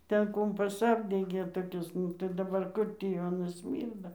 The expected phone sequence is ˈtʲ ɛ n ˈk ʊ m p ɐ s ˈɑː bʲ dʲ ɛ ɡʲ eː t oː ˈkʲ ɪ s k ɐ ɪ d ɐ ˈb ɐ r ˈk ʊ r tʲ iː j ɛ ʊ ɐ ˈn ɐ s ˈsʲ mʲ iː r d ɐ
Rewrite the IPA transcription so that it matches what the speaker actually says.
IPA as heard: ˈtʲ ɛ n ˈk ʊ m p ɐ s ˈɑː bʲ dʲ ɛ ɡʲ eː t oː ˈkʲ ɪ s t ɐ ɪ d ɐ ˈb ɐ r ˈk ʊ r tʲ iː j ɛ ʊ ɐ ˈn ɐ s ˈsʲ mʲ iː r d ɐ